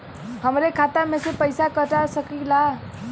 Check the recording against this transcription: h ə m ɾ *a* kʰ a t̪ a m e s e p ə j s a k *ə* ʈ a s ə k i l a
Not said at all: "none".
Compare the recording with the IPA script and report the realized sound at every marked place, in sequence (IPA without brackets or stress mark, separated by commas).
e, ə